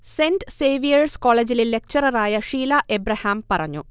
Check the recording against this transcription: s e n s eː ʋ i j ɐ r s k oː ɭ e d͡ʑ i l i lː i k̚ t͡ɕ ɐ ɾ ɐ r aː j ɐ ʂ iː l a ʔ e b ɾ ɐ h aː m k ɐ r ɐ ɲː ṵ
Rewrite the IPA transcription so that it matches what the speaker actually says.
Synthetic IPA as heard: s e n s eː ʋ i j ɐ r s k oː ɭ e d͡ʑ i l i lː e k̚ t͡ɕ ɐ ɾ ɐ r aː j ɐ ʂ iː l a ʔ e b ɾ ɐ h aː m p ɐ r ɐ ɲː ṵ